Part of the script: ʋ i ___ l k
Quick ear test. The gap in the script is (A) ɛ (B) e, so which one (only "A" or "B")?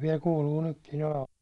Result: A